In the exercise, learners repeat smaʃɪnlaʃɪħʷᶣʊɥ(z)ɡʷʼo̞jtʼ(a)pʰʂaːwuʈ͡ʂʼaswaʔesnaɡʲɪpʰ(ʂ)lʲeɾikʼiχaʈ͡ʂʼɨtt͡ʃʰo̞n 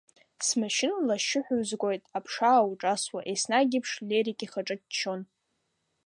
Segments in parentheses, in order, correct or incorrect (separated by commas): correct, correct, correct